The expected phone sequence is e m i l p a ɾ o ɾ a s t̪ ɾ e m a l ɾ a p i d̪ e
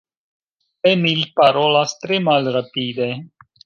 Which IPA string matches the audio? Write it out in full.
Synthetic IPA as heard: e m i l p a ɾ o l a s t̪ ɾ e m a l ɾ a p i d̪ e